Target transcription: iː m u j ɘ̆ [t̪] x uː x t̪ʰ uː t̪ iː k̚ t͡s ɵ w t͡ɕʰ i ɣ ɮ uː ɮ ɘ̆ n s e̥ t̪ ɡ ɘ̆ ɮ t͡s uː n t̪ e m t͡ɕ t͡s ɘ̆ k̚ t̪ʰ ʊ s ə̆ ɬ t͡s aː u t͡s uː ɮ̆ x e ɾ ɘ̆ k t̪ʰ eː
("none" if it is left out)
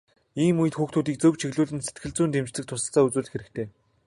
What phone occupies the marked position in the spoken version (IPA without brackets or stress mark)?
t̪